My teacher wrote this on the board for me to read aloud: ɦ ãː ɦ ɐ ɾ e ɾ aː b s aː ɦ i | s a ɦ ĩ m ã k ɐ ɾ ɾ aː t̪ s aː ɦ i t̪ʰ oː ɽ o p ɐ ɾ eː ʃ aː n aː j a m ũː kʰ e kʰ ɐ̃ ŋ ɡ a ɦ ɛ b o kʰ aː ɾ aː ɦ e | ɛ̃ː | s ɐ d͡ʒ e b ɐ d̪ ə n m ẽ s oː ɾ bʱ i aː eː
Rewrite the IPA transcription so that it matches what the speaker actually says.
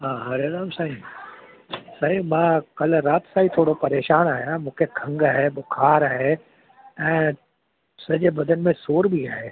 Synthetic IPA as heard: ɦ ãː ɦ ɐ ɾ e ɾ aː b s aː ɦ i | s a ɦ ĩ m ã k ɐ l ɾ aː t̪ s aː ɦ i t̪ʰ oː ɽ o p ɐ ɾ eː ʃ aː n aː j a m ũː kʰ e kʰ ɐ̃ ŋ ɡ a ɦ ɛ b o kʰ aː ɾ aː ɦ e | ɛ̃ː | s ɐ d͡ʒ e b ɐ d̪ ə n m ẽ s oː ɾ bʱ i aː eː